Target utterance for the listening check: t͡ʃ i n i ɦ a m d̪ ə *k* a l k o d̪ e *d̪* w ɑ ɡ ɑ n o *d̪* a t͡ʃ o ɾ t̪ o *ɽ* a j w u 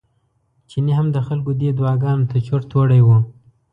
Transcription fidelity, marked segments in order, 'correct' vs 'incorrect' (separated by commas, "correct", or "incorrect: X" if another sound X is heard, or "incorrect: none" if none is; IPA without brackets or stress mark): incorrect: x, correct, incorrect: t̪, correct